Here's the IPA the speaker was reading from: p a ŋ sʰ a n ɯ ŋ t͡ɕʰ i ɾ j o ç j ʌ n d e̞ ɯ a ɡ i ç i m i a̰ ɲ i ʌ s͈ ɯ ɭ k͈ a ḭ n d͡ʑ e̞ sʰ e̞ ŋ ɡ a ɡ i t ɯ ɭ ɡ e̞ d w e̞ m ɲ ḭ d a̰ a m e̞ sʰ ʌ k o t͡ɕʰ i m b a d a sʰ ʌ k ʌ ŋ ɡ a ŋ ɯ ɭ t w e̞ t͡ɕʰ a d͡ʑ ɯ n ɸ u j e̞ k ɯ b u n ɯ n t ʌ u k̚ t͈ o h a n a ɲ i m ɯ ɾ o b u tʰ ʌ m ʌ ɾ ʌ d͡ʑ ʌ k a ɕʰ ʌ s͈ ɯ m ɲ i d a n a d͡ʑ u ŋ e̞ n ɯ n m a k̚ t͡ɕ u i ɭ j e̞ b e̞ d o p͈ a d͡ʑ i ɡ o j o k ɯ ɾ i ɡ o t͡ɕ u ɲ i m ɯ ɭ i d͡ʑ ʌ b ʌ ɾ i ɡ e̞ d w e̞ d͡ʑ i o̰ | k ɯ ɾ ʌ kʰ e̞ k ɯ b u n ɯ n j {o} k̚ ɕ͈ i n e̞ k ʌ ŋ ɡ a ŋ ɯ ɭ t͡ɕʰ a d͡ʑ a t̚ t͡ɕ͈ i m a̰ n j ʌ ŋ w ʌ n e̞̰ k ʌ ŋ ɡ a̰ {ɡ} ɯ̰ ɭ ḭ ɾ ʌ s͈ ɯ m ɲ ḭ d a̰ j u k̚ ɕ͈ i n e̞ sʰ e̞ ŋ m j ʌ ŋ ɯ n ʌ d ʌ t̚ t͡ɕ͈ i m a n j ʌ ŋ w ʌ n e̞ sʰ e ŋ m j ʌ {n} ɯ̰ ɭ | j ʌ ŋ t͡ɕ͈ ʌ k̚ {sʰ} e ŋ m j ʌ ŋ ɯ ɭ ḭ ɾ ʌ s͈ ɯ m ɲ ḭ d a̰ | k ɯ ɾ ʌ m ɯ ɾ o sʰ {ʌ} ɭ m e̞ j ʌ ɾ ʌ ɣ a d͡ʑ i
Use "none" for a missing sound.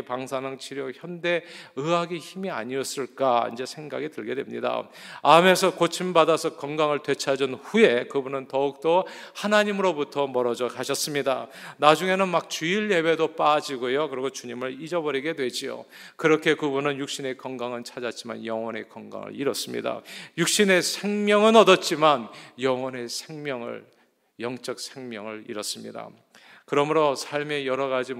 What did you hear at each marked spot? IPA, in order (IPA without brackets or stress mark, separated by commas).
u, ŋ, ŋ, sʰ, a